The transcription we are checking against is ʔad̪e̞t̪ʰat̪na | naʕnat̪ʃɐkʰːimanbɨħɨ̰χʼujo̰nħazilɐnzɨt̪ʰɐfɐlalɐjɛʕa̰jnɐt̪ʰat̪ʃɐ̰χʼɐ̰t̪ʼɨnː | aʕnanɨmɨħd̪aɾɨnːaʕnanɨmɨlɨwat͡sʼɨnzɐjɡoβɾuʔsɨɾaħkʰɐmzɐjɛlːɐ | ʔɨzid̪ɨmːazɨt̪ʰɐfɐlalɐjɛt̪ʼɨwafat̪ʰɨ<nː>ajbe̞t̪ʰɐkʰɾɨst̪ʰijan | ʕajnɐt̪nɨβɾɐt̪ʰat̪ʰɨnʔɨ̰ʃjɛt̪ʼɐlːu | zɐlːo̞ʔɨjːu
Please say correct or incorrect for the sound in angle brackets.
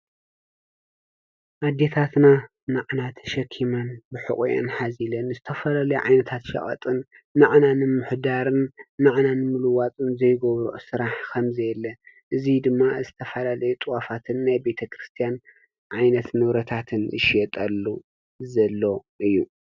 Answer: correct